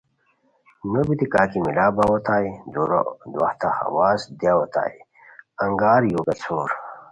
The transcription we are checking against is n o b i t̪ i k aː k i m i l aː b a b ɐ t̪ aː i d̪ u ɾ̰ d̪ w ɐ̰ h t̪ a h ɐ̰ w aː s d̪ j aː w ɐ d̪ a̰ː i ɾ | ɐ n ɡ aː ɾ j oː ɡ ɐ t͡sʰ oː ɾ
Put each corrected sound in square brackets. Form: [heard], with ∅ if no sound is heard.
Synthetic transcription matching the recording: n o b i t̪ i k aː k i m i l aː b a [w] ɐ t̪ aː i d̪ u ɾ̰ d̪ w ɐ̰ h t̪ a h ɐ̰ w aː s d̪ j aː w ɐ [t̪] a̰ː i [∅] | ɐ [ŋ] ɡ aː ɾ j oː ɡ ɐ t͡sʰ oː ɾ